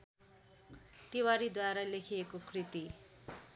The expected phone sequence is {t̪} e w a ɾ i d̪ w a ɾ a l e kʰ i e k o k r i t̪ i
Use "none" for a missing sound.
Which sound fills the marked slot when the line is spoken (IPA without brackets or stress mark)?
t̪